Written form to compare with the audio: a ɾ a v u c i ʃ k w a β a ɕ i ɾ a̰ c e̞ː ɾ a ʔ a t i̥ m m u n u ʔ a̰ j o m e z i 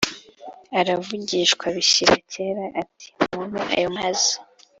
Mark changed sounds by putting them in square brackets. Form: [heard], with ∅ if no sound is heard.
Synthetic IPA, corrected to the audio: a ɾ a v u [ɟ] i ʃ k w a β [i] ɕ i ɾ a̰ c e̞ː ɾ a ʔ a t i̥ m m u n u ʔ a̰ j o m [a] z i